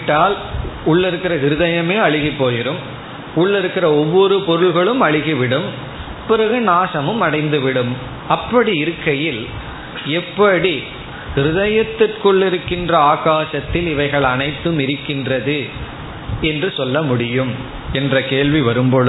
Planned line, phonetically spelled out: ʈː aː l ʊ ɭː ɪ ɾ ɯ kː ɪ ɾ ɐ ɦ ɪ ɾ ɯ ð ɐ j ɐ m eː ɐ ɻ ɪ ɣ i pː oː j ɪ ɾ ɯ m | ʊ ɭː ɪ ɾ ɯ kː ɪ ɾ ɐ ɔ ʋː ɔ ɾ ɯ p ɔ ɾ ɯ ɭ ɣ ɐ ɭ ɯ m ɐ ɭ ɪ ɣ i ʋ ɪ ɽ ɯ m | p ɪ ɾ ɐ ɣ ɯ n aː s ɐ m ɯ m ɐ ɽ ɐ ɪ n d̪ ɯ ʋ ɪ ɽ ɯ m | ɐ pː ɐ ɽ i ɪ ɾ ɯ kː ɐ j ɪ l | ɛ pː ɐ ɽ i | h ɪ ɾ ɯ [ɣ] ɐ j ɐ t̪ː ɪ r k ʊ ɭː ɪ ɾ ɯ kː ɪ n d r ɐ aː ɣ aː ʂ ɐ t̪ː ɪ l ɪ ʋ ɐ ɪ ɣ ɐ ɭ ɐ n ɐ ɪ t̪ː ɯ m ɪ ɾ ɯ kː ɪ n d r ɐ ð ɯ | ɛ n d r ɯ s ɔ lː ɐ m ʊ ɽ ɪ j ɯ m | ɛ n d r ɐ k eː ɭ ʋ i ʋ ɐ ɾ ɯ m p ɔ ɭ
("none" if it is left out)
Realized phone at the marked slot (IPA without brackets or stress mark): ð